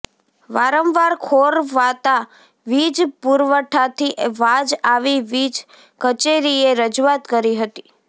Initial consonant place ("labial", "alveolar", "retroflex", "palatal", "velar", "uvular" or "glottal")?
labial